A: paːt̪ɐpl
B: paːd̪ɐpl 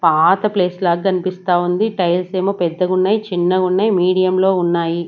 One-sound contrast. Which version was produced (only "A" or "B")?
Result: A